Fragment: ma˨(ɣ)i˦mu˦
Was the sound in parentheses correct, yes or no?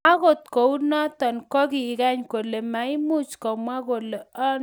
no